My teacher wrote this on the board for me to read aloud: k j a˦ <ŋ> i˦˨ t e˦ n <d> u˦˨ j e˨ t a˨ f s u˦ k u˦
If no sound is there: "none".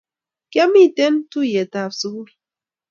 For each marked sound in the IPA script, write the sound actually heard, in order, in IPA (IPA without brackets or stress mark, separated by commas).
m, t